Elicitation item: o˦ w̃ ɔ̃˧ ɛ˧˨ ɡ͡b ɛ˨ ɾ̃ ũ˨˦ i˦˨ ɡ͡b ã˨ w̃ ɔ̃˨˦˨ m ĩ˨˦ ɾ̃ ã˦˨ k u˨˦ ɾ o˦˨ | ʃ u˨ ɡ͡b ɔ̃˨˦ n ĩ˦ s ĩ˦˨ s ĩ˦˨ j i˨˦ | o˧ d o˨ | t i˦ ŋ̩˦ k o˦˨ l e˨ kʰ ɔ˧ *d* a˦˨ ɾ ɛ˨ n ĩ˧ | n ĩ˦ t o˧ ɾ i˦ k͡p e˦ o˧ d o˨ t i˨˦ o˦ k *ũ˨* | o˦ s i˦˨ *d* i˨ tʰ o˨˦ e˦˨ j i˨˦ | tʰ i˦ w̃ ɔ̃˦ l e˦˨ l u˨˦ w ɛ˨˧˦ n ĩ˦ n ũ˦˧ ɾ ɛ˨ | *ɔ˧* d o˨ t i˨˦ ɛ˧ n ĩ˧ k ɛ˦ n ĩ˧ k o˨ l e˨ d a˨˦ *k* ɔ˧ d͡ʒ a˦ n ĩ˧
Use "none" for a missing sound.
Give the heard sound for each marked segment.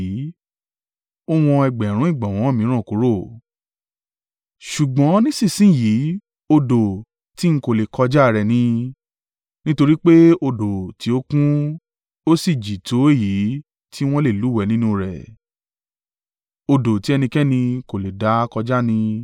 d͡ʒ, ũ˦, d͡ʒ, o˧, k

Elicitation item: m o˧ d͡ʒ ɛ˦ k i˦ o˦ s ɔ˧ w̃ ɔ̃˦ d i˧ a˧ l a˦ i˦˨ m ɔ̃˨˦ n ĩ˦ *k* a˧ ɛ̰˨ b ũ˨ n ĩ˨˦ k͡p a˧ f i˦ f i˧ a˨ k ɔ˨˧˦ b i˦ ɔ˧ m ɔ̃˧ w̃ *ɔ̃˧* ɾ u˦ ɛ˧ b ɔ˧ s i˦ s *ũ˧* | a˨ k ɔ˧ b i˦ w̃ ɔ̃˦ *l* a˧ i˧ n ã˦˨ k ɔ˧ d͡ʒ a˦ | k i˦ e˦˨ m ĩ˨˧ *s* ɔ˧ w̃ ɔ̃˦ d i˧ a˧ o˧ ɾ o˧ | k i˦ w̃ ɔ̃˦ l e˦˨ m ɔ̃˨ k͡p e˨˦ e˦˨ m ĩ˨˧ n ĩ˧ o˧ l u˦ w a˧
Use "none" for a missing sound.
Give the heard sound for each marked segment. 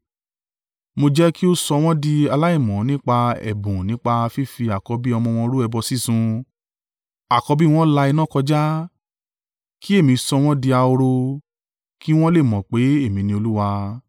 k͡p, ɔ̃˧, ũ˧, l, s

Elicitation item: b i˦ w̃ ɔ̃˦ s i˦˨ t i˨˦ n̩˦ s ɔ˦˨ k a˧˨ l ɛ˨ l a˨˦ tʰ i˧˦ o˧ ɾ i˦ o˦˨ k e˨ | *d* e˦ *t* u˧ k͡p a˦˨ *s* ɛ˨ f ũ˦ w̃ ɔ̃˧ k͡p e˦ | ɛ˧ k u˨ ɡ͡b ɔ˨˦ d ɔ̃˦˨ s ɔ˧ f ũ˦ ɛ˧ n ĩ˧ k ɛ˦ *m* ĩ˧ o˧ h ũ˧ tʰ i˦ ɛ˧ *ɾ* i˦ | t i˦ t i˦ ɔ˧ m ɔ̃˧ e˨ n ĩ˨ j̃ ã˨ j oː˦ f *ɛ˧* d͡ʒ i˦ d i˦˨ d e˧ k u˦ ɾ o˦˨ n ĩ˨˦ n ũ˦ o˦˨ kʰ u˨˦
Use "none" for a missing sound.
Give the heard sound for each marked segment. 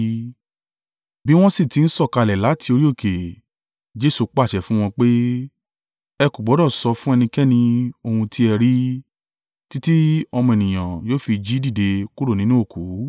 d͡ʒ, s, ʃ, n, ɾ, i˧

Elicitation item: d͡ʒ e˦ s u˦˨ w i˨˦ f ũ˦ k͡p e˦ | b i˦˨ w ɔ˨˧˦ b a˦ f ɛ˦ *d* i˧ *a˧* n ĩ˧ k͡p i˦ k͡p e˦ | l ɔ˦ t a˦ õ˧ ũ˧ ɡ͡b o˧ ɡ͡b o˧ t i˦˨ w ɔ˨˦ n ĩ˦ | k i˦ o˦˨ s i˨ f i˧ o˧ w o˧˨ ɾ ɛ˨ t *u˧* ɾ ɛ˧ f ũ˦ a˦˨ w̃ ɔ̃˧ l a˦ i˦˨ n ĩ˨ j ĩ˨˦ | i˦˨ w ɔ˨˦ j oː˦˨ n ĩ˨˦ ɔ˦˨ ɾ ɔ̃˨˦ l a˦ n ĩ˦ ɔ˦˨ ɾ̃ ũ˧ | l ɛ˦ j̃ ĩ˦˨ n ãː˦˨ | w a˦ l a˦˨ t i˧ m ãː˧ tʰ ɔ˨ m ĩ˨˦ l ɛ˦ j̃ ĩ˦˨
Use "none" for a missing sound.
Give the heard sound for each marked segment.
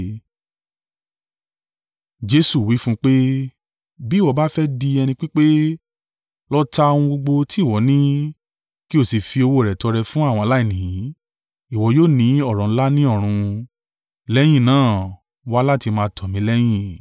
d, ɛ˧, ɔ˧

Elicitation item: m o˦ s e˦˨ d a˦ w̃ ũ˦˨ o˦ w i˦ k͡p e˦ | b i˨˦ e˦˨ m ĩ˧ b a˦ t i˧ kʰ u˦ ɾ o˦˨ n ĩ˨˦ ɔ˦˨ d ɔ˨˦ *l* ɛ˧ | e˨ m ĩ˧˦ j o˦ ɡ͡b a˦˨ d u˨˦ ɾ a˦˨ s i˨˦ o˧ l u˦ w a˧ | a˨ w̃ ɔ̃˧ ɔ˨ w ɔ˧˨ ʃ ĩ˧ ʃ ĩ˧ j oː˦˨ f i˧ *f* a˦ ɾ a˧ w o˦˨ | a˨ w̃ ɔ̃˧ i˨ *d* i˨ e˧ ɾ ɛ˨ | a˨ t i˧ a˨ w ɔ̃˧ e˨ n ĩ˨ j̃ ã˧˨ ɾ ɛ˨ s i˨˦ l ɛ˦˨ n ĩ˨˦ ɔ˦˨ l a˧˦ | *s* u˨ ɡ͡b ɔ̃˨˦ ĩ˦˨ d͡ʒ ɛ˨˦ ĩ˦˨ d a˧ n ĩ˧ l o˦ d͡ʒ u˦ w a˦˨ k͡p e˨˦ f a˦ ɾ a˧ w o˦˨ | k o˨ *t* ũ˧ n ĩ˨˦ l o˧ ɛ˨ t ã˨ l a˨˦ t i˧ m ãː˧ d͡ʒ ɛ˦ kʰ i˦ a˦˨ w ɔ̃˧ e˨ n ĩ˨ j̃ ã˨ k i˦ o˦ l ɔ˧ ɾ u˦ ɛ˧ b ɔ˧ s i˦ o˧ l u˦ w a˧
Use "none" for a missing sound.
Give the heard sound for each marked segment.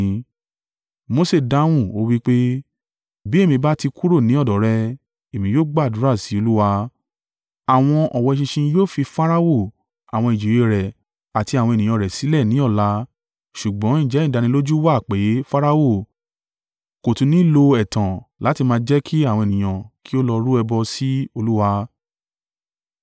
ɾ, f, d͡ʒ, ʃ, t

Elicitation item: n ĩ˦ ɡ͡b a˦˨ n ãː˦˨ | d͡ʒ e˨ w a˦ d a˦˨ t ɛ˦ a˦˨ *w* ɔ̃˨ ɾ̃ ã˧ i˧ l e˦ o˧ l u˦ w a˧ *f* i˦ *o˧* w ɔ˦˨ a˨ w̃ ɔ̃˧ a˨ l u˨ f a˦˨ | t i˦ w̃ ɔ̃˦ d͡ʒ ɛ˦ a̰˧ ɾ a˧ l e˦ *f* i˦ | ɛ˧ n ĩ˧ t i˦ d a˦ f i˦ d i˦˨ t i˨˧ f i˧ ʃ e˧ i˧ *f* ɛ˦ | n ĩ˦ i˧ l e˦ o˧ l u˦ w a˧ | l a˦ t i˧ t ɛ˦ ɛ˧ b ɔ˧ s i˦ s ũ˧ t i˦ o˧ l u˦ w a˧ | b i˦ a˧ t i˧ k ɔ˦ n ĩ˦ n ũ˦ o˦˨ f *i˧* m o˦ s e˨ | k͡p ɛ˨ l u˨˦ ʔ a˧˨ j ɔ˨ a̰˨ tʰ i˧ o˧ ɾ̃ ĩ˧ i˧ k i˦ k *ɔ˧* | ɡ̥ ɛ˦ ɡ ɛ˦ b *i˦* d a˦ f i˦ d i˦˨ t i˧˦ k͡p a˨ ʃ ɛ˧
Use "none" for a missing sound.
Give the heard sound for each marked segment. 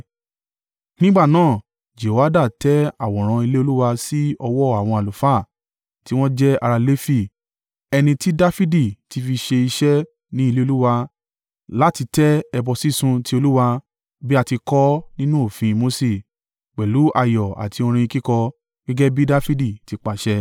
w, s, ɔ˧, f, ʃ, ĩ˧, ɔ˧, i˦

